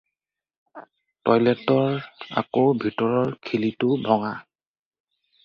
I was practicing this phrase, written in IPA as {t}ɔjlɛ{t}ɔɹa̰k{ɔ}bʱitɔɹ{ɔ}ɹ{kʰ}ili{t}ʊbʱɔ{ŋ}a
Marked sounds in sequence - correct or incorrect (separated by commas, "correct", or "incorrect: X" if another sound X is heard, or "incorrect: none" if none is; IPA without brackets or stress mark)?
correct, correct, incorrect: o, correct, correct, correct, correct